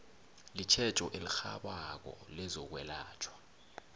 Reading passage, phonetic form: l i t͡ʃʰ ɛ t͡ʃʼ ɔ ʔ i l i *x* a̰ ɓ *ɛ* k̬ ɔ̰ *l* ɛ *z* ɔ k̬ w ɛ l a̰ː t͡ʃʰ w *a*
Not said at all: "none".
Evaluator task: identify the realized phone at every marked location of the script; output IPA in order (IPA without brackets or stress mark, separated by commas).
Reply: x, a, l, z, a